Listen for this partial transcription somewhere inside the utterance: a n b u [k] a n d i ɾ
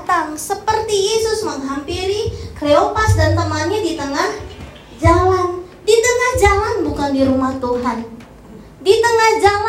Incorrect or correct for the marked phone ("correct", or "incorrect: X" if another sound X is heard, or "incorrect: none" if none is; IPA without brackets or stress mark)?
correct